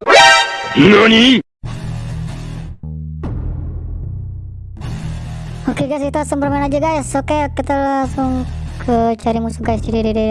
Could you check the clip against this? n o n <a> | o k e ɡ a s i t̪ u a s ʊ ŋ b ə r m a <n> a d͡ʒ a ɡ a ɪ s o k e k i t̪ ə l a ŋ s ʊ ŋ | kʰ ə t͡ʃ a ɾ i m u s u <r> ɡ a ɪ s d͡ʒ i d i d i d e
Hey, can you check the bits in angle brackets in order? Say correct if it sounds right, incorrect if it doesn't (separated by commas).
incorrect, correct, incorrect